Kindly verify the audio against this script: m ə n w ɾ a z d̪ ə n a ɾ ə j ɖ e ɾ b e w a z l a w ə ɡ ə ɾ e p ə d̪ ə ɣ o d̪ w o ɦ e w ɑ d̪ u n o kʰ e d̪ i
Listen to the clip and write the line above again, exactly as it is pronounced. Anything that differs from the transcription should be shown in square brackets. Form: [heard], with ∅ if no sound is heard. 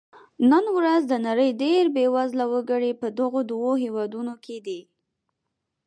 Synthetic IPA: [n] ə n w ɾ a z d̪ ə n a ɾ ə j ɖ e ɾ b e w a z l a w ə ɡ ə [ɽ] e p ə d̪ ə ɣ o d̪ w o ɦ e w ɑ d̪ u n o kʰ e d̪ i